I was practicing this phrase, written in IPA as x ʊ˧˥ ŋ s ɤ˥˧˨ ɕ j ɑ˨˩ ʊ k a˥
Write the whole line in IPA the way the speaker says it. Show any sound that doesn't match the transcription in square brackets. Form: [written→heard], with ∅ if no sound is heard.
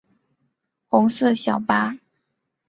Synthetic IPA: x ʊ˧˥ ŋ s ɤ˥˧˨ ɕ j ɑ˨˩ ʊ [k→p] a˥